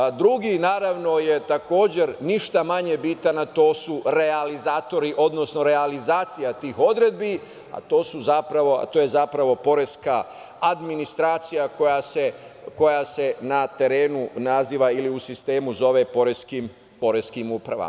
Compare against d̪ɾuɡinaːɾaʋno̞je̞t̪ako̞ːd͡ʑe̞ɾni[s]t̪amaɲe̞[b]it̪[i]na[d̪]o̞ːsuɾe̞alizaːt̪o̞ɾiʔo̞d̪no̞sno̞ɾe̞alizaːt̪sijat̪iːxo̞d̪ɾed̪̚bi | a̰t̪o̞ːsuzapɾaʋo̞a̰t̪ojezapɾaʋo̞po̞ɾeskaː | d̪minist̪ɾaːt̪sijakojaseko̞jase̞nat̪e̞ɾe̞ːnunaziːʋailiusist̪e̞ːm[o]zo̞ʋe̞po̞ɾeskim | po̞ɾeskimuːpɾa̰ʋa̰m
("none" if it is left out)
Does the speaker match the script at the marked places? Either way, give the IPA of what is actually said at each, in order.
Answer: ʃ, b, a, t̪, u

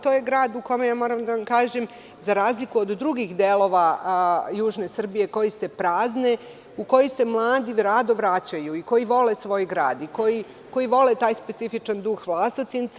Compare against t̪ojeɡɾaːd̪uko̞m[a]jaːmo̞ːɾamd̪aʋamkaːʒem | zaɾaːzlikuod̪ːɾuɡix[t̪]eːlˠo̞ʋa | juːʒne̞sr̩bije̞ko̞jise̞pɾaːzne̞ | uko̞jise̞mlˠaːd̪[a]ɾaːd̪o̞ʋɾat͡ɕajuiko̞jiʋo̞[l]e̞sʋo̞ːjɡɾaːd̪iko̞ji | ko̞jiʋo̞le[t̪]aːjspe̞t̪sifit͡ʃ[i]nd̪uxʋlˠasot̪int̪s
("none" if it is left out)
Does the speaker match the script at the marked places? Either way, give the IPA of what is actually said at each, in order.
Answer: e, d̪, i, l, t̪, a

